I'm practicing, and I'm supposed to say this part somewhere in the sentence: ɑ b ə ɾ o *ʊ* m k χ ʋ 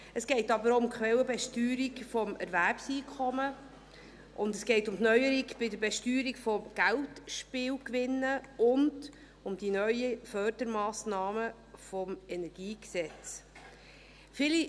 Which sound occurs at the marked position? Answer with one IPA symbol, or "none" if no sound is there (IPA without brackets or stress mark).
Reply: ʊ